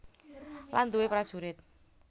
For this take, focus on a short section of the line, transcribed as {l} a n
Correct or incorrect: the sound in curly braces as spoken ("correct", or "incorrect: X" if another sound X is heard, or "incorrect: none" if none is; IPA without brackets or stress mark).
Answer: correct